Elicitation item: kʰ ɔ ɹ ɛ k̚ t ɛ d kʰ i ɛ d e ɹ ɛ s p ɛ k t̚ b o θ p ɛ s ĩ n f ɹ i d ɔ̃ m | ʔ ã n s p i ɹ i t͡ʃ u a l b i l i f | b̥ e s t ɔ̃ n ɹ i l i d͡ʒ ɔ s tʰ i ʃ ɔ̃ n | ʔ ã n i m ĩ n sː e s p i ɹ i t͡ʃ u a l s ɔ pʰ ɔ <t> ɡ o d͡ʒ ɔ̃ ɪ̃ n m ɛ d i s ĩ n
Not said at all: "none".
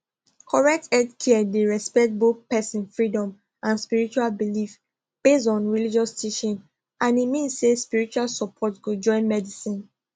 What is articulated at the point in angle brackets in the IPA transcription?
t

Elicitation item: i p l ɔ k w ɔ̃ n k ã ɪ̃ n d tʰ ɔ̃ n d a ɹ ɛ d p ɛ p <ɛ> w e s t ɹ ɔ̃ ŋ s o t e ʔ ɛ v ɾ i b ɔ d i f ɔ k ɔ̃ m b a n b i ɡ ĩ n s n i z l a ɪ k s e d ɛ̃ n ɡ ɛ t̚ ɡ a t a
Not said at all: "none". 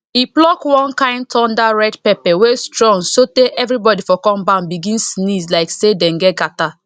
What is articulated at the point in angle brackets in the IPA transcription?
ɛ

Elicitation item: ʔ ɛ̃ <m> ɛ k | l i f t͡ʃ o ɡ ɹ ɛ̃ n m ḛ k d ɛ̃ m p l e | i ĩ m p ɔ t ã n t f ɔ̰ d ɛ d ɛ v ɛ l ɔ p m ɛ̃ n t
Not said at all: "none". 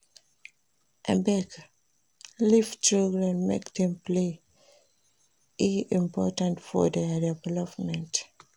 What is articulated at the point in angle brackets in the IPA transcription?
b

